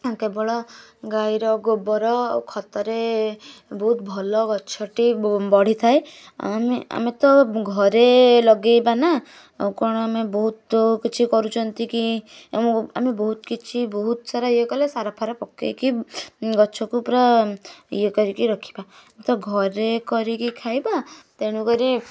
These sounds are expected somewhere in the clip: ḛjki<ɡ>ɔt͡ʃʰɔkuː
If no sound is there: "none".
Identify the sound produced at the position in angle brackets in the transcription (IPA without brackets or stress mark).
ɡ